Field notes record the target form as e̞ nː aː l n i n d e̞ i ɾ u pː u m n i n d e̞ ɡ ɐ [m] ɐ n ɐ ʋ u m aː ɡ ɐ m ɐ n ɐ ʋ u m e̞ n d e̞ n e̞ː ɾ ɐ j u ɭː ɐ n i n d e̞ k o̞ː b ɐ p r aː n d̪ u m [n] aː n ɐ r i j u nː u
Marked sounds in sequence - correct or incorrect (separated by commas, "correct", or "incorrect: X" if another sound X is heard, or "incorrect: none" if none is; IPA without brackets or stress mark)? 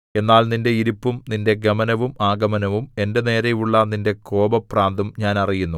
correct, incorrect: ɲ